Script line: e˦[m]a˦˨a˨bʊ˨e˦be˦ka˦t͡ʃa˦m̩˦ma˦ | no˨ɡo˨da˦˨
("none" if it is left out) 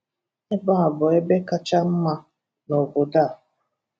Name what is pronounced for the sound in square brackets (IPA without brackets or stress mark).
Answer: b